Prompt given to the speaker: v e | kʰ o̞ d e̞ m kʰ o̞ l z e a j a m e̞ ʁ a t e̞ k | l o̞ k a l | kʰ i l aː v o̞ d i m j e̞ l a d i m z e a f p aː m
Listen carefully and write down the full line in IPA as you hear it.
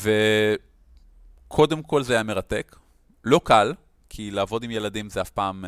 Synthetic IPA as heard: v e | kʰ o̞ d e̞ m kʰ o̞ l z e a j a m e̞ ʁ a t e̞ k | l o̞ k a l | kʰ i l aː v o̞ d i m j e̞ l a d i m z e a f p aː m